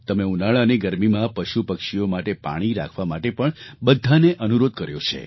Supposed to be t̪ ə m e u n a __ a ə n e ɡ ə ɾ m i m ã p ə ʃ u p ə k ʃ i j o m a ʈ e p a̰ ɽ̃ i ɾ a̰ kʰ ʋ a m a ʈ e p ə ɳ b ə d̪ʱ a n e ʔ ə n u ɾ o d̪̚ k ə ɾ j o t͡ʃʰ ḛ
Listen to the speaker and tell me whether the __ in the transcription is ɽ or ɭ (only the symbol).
ɭ